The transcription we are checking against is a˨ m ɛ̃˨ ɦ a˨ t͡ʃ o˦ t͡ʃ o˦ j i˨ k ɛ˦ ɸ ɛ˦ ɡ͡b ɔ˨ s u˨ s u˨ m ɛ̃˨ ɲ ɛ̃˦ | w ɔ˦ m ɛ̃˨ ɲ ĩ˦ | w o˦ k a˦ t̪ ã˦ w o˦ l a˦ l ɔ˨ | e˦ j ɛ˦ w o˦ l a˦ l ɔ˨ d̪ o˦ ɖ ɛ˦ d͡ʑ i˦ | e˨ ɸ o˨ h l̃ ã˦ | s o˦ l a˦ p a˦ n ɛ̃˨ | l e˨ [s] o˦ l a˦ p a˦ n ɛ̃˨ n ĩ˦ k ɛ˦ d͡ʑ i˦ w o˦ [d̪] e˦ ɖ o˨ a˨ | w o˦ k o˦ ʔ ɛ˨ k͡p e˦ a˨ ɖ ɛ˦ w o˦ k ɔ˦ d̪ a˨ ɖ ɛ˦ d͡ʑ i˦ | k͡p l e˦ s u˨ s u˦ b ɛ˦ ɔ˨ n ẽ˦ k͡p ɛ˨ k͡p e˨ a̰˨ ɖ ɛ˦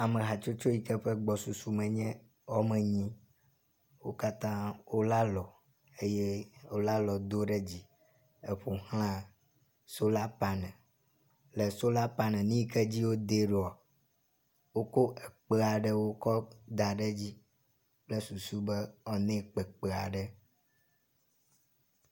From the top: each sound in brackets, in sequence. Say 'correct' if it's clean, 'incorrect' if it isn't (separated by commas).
correct, correct